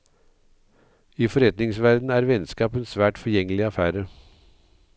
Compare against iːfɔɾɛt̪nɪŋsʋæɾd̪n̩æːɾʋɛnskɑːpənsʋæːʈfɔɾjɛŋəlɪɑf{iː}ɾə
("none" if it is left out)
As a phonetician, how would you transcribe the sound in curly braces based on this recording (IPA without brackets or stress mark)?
æː